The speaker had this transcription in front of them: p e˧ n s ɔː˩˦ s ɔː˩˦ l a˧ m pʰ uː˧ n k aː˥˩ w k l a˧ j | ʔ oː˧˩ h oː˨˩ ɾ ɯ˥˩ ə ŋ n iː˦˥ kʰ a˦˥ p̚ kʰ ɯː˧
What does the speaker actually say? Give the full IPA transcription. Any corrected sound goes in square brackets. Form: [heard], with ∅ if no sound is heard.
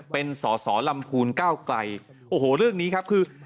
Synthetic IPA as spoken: p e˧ n s ɔː˩˦ s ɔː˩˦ l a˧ m pʰ uː˧ n k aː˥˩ w k l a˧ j | ʔ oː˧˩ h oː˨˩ ɾ ɯ˥˩ ə ŋ n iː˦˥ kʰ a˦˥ p̚ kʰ ɯː˧